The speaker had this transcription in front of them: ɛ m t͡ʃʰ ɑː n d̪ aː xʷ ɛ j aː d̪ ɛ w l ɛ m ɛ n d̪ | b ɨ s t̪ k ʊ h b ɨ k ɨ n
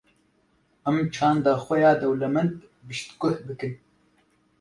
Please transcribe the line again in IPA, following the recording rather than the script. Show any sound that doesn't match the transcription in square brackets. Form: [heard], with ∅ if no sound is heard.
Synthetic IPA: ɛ m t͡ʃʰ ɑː n d̪ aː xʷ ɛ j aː d̪ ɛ w l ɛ m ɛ n d̪ | b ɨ [ʃ] t̪ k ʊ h b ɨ k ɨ n